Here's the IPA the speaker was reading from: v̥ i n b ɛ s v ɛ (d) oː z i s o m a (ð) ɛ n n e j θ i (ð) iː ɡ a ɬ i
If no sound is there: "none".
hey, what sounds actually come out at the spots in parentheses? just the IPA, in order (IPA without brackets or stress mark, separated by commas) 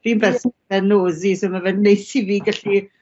n, v, v